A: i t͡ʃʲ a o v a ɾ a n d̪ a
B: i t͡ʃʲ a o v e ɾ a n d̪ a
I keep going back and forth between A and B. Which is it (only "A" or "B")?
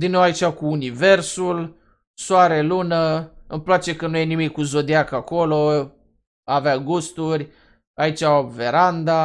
B